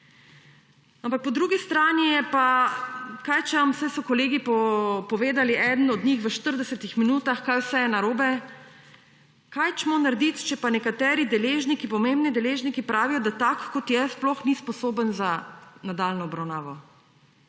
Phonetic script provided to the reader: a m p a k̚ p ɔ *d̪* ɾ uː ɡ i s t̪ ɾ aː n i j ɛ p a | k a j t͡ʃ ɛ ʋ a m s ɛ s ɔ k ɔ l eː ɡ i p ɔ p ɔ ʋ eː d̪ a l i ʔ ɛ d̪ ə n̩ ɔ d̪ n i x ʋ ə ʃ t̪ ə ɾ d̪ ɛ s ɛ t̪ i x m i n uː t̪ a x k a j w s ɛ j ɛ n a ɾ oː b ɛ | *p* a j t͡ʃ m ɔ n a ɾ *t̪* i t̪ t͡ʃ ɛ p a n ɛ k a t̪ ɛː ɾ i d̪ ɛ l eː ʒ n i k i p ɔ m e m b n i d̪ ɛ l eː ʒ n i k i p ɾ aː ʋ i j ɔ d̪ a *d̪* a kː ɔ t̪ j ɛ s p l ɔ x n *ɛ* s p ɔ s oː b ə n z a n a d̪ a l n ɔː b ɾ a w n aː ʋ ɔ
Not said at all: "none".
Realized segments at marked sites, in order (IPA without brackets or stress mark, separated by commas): d̪, k, d̪, t̪, i